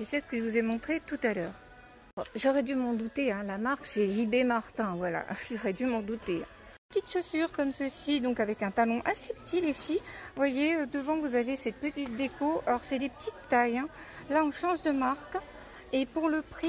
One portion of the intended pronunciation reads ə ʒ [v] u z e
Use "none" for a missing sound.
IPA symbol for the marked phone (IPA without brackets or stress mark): v